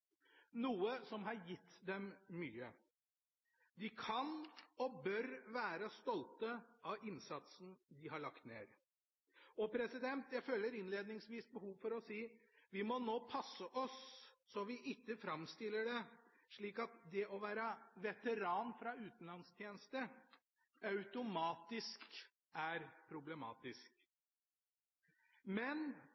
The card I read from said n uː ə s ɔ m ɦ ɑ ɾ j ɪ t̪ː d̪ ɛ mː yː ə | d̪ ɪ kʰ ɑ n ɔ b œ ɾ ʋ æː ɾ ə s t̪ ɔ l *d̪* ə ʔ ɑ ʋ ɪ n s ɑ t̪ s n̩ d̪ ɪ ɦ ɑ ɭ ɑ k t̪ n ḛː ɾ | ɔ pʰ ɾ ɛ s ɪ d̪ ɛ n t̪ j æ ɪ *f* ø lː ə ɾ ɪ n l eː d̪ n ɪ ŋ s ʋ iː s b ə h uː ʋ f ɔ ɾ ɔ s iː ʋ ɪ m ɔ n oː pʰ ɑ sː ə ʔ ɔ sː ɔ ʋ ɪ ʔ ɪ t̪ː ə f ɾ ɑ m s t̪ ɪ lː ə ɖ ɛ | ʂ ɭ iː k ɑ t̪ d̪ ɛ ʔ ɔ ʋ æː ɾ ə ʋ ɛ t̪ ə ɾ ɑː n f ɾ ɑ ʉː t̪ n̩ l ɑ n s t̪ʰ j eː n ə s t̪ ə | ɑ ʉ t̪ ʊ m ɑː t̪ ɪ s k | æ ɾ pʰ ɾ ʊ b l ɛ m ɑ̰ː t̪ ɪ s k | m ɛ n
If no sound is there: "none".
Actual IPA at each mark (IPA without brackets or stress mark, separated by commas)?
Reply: t̪, f